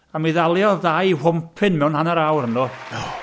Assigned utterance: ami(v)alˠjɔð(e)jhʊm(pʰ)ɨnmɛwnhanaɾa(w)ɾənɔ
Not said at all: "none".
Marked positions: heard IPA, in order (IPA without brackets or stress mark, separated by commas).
ð, a, pʰ, w